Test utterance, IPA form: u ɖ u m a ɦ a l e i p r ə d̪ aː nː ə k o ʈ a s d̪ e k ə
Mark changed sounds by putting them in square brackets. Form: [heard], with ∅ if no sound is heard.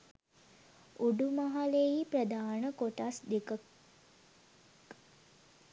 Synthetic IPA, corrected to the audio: u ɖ u m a ɦ a l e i p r ə d̪ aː [n] ə k o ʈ a s d̪ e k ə